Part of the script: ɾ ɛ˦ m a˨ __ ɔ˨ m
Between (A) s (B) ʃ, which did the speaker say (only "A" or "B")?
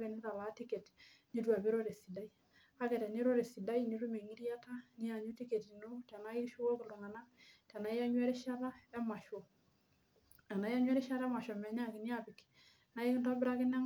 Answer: B